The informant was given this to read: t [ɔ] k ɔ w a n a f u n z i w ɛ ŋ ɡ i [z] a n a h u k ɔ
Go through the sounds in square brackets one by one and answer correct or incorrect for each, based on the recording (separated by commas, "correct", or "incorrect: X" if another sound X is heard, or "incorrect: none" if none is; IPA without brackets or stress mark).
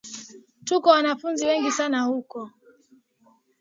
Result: incorrect: u, incorrect: s